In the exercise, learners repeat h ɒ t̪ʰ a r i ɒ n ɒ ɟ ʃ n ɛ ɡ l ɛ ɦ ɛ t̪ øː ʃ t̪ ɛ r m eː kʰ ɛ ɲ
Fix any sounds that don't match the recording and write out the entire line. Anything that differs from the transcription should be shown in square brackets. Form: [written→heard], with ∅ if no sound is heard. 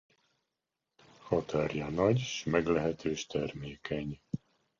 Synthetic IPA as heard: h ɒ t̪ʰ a r [i→j] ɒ n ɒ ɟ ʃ [n→m] ɛ ɡ l ɛ ɦ ɛ t̪ øː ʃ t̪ ɛ r m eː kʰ ɛ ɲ